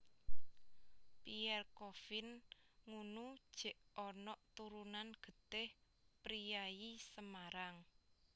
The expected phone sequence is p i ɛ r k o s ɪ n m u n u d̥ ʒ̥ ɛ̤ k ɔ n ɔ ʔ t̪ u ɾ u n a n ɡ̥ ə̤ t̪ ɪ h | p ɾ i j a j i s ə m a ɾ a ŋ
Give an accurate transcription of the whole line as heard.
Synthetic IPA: p i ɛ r k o f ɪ n ŋ u n u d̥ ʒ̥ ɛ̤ ʔ ɔ n ɔ ʔ t̪ u ɾ u n a n ɡ̥ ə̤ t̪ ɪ h | p ɾ i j a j i s ə m a ɾ a ŋ